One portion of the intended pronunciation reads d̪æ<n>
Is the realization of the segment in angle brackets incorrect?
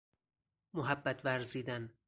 no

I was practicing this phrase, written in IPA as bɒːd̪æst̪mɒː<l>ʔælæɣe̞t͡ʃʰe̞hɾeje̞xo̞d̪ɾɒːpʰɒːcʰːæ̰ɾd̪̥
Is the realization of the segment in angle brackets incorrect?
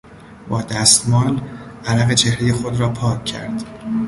no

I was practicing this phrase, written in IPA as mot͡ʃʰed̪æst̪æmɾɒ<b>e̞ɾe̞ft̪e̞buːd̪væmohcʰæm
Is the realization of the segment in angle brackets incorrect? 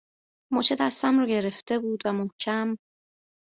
yes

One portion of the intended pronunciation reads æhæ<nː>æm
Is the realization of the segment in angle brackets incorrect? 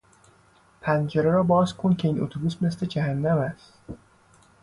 no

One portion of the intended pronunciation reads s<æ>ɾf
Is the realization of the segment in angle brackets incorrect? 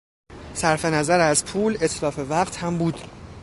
no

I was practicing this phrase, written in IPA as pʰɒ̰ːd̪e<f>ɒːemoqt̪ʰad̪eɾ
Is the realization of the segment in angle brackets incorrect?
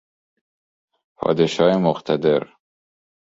yes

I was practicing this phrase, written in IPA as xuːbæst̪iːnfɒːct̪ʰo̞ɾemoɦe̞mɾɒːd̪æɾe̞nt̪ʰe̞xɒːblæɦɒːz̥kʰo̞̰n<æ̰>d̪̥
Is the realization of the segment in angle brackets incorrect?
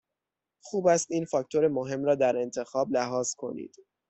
yes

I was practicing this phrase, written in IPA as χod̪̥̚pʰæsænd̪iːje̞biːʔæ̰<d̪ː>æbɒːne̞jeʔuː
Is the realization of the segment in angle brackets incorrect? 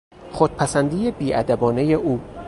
yes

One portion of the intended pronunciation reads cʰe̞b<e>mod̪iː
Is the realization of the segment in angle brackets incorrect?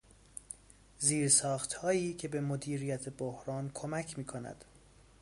no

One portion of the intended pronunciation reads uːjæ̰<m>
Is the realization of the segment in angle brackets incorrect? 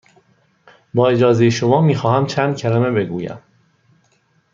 no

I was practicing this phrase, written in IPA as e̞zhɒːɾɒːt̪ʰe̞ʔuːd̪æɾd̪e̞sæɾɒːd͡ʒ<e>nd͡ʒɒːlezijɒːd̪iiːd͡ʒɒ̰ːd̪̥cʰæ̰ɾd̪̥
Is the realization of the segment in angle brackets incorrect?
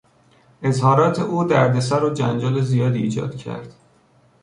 yes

